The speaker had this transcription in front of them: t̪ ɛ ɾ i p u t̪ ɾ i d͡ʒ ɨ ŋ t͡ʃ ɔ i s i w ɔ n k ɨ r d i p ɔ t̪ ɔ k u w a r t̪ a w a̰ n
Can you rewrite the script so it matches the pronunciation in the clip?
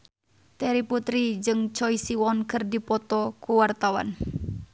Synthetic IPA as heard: t̪ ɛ ɾ i p u t̪ ɾ i d͡ʒ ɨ ŋ t͡ʃ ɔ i s i w ɔ n k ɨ r d i p ɔ t̪ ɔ k u w a r t̪ a w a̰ n